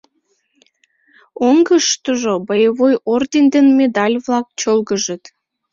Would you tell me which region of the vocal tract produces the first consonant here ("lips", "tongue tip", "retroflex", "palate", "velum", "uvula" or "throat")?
velum